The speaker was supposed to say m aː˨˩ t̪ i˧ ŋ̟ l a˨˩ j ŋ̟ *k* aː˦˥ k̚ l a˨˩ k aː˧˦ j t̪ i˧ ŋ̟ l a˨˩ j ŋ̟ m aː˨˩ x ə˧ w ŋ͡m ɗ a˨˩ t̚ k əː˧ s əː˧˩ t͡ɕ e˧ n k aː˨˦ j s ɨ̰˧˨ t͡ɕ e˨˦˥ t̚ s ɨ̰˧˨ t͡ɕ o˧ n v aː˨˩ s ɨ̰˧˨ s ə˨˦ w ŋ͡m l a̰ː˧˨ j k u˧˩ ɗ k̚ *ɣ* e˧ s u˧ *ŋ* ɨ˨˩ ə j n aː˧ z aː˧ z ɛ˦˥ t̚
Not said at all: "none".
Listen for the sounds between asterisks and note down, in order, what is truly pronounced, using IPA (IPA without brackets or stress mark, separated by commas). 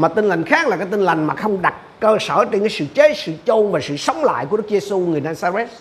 x, z, ŋ